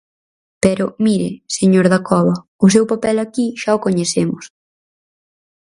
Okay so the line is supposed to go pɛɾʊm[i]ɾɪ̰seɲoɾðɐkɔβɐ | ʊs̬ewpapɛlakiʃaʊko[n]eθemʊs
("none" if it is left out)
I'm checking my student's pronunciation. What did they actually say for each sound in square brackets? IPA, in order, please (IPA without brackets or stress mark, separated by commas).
i, ɲ